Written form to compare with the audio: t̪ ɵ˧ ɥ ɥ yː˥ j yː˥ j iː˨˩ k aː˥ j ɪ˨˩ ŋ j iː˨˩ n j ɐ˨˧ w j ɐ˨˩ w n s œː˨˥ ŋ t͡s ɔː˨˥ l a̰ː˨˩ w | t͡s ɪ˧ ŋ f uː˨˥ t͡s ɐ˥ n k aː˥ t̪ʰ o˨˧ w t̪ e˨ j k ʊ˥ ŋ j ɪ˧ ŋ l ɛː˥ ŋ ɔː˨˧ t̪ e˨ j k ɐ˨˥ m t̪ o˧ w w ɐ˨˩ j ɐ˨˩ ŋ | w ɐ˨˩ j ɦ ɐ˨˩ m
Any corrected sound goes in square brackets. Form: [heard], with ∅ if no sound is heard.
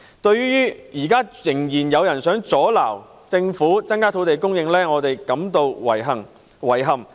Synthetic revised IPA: t̪ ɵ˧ ɥ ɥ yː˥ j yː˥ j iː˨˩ k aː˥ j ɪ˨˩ ŋ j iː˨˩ n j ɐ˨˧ w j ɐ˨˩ [∅] n s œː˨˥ ŋ t͡s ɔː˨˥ l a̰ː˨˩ w | t͡s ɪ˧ ŋ f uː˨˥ t͡s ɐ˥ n k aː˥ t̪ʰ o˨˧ w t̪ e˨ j k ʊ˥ ŋ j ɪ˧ ŋ l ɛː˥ ŋ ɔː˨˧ t̪ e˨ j k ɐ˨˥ m t̪ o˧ w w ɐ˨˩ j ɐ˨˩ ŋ | w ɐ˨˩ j ɦ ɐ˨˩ m